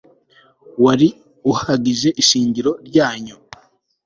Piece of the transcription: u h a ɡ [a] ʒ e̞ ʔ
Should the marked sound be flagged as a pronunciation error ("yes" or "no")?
yes